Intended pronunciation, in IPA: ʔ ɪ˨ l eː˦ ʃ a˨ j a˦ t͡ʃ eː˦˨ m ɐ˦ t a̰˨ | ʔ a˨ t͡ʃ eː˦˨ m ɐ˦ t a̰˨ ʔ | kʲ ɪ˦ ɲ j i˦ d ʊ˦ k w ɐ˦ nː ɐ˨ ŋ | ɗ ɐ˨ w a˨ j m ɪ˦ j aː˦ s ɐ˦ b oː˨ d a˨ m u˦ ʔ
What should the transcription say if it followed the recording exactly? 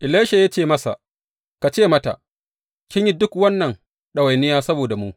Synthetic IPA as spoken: ʔ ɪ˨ l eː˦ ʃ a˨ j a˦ t͡ʃ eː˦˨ m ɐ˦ s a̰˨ | k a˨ t͡ʃ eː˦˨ m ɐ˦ t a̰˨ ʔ | kʲ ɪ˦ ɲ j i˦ d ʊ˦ k w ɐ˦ nː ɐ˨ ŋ | ɗ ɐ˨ w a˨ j n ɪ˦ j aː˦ s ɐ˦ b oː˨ d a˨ m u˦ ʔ